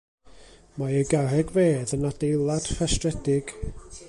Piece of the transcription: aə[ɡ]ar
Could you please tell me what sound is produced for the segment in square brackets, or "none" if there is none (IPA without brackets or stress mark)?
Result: ɡ